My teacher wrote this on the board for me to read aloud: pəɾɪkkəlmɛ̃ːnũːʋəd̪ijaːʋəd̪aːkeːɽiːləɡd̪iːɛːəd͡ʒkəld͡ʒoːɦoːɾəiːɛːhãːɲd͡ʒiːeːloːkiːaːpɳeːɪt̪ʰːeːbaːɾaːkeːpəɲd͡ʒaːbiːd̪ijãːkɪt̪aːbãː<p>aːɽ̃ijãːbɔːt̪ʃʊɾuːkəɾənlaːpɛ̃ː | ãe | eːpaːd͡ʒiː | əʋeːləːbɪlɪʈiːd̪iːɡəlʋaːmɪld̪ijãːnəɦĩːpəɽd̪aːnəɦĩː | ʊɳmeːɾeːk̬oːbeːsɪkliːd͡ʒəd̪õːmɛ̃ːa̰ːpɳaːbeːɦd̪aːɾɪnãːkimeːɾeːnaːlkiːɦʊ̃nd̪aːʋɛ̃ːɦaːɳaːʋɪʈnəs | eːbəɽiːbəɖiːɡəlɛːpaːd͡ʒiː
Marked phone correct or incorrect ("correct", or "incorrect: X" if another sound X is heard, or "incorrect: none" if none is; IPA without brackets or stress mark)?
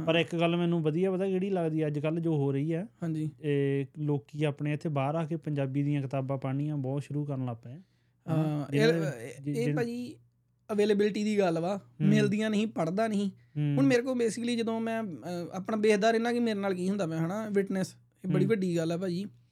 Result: correct